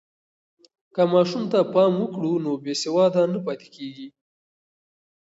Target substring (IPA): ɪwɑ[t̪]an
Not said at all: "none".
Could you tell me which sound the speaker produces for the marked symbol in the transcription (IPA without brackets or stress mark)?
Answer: d̪